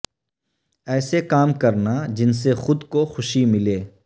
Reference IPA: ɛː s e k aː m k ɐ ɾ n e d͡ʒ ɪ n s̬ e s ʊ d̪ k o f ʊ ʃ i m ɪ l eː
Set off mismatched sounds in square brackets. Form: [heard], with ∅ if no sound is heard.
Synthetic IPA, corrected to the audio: ɛː s e k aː m k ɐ ɾ n [a] d͡ʒ ɪ n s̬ e [x] ʊ d̪ k o [x] ʊ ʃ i m ɪ l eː